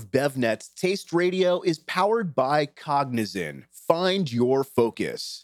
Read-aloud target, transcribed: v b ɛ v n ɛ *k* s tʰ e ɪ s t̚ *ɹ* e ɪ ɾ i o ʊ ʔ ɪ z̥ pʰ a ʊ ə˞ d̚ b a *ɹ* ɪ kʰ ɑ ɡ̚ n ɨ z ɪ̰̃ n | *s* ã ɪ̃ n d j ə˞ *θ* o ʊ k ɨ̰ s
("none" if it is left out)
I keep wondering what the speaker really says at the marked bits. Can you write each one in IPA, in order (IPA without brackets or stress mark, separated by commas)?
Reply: t, ɹ, none, f, f